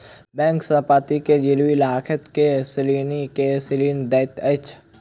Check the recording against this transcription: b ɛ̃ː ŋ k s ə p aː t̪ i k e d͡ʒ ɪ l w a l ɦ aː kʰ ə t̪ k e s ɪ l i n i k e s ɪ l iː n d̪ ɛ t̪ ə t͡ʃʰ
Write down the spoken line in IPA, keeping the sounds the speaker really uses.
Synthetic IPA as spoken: b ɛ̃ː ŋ k s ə p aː t̪ i k e d͡ʒ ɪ l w i l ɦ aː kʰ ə t̪ k e s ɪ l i n i k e s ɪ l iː n d̪ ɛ t̪ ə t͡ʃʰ